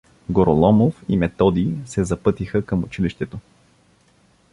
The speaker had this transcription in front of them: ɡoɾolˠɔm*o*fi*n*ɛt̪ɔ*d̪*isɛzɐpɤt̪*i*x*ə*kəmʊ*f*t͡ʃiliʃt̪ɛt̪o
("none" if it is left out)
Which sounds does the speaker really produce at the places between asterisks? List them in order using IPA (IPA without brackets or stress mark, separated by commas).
o, m, d̪, i, ə, none